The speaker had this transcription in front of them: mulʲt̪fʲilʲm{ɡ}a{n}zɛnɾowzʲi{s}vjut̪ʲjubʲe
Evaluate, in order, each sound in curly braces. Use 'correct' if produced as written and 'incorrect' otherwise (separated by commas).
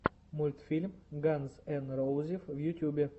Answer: correct, correct, incorrect